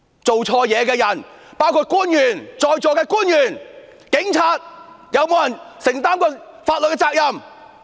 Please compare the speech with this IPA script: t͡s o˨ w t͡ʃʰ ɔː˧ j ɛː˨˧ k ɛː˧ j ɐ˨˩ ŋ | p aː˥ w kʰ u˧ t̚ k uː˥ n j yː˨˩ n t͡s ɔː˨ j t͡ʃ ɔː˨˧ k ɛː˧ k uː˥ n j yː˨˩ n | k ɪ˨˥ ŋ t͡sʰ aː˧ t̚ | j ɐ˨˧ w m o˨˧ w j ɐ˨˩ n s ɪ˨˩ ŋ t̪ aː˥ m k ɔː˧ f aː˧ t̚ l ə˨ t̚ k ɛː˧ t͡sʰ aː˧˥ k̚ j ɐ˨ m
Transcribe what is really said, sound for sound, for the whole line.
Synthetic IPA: t͡s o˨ w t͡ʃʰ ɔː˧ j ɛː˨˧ k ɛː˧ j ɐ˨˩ n | p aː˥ w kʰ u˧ t̚ k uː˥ n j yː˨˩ n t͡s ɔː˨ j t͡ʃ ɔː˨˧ k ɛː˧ k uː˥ n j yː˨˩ n | k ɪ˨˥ ŋ t͡sʰ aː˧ t̚ | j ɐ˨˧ w m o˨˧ w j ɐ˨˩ n s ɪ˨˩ ŋ t̪ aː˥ m k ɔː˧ f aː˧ t̚ l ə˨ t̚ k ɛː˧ t͡s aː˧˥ k̚ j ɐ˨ m